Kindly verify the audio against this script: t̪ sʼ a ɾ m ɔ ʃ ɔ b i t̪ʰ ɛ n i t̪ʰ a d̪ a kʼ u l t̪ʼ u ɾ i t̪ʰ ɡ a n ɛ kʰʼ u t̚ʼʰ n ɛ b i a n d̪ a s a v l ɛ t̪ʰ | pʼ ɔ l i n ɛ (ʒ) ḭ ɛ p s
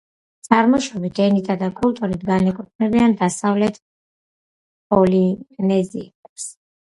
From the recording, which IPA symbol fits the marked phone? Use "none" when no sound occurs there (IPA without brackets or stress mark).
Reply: z